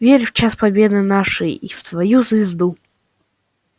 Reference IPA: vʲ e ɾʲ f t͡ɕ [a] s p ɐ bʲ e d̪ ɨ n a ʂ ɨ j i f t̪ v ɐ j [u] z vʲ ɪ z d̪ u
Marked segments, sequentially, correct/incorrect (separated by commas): correct, correct